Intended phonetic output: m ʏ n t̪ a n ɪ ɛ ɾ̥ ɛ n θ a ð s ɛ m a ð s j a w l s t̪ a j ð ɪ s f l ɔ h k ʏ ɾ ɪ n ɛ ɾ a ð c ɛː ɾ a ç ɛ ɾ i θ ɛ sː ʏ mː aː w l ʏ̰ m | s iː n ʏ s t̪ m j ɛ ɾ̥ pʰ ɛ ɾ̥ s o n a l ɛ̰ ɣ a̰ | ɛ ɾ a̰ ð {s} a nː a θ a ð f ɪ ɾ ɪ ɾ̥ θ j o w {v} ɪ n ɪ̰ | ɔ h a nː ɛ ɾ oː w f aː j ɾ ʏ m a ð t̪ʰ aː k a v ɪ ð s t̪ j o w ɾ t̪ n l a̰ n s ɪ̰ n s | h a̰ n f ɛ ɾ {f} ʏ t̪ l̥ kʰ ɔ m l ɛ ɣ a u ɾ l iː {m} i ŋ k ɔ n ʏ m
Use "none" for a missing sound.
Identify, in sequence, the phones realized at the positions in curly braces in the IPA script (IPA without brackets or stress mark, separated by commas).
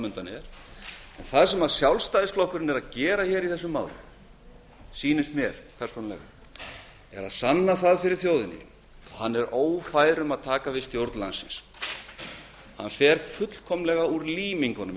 s, ð, f, m